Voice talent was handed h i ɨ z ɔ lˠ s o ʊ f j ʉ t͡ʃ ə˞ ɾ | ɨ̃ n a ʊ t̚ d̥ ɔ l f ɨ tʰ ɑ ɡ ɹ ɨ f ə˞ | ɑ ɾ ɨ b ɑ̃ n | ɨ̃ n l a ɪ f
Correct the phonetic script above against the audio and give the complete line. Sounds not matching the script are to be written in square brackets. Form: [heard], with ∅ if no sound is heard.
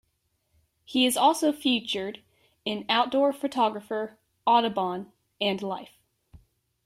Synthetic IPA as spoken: h i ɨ z ɔ lˠ s o ʊ f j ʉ t͡ʃ ə˞ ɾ | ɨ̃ n a ʊ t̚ d̥ ɔ [ɹ] f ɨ tʰ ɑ ɡ ɹ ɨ f ə˞ | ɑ ɾ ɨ b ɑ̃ n | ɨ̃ n l a ɪ f